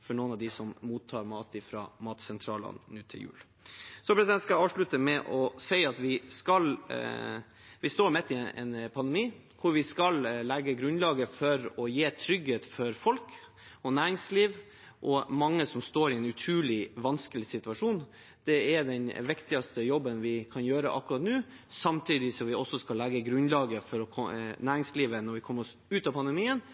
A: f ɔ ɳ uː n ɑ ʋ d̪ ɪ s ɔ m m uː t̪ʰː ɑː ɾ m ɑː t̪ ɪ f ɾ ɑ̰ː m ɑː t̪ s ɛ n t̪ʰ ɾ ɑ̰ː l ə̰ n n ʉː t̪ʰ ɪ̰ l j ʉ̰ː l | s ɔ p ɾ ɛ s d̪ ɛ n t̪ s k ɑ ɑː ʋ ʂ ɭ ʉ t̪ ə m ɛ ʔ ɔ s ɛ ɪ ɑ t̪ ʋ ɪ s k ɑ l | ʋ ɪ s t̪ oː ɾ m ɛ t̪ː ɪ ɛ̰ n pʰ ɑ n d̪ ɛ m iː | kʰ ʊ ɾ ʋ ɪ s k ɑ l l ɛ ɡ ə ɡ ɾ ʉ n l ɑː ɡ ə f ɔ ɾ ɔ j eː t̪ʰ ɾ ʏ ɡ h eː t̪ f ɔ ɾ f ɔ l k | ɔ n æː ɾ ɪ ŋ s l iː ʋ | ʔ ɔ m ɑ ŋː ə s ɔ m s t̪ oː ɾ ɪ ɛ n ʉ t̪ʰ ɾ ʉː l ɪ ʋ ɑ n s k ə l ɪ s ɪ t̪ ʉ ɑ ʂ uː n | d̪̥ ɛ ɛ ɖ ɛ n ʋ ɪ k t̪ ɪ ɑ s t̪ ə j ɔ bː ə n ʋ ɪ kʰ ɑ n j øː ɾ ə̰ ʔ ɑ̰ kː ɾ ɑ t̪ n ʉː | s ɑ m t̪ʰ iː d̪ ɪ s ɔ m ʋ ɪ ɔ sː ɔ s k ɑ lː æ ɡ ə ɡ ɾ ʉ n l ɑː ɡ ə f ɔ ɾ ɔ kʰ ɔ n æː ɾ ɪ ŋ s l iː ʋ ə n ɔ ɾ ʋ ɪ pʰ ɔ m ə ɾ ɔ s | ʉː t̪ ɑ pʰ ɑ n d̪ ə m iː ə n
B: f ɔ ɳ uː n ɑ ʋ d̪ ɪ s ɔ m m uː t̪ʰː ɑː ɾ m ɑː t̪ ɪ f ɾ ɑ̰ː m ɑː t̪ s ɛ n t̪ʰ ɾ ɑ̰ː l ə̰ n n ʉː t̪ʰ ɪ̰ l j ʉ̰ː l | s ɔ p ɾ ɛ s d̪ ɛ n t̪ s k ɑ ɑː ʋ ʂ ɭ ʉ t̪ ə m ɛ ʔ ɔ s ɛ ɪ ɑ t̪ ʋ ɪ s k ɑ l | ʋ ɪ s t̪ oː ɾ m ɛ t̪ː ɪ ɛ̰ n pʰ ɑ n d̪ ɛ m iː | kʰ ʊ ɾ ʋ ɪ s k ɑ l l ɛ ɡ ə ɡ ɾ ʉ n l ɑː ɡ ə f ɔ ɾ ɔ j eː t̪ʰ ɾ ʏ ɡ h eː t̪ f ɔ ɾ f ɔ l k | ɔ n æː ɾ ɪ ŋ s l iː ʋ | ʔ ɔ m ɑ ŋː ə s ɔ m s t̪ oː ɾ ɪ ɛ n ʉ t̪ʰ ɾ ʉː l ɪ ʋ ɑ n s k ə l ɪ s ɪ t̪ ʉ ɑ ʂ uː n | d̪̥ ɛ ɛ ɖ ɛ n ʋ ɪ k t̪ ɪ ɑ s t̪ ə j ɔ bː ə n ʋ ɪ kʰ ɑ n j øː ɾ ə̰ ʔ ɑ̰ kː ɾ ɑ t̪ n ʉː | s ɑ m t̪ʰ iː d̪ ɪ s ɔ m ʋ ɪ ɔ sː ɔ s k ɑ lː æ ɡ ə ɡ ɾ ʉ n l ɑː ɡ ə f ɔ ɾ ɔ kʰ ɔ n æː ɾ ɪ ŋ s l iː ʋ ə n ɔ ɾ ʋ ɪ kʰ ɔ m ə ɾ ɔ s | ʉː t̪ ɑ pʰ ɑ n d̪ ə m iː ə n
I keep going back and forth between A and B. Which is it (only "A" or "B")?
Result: B